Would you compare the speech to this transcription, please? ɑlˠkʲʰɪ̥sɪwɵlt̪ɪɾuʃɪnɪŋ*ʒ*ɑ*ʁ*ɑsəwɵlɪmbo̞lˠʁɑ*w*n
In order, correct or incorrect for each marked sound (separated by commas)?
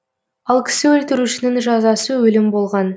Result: correct, incorrect, incorrect